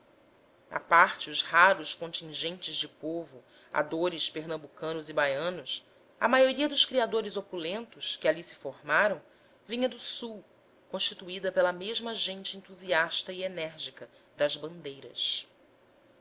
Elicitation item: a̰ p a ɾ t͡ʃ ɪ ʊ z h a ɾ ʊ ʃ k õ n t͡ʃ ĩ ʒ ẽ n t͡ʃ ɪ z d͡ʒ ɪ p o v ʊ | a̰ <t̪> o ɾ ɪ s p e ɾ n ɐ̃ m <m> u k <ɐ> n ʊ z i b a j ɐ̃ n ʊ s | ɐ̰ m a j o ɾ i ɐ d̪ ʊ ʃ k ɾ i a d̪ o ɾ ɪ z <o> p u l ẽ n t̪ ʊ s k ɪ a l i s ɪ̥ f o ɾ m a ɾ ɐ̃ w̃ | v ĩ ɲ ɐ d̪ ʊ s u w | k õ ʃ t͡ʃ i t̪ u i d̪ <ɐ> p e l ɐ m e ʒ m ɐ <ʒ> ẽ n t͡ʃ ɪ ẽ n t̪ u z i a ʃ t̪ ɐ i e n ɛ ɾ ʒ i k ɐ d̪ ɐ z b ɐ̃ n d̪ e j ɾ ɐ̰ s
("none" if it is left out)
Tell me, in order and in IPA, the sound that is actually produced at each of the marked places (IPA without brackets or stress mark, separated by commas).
d̪, b, ɐ̃, o, ɐ, ʒ